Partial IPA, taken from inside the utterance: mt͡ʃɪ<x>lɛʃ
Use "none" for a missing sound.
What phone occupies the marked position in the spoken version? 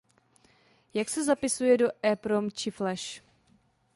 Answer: f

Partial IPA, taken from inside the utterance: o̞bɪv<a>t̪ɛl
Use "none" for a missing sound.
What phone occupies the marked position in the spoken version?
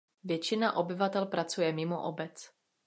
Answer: a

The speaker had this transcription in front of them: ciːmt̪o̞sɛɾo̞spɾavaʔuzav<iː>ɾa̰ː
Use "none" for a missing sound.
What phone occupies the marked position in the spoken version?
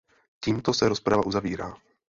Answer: iː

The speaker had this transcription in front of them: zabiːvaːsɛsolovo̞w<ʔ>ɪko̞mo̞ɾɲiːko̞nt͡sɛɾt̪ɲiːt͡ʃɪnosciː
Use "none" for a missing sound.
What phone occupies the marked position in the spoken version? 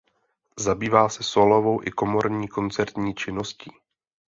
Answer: ʔ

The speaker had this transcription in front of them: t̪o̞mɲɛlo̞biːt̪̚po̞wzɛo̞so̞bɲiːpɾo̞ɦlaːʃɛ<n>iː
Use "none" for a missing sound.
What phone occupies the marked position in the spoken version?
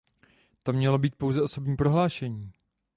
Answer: ɲ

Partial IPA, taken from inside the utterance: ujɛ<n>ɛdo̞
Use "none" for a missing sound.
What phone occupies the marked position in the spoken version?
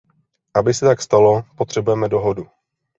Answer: m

